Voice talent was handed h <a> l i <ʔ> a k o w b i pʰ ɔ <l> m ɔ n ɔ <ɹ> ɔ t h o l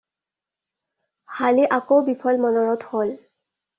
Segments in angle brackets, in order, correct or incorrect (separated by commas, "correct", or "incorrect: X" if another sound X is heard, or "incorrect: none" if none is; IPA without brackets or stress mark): correct, correct, correct, correct